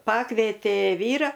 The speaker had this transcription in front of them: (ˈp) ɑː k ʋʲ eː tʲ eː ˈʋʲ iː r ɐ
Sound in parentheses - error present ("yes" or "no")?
no